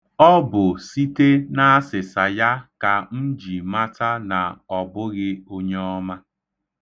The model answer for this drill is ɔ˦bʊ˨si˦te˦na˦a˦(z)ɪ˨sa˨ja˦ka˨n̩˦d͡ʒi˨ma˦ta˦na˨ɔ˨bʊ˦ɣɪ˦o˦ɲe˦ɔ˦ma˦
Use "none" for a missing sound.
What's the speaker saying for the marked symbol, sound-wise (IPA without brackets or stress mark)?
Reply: s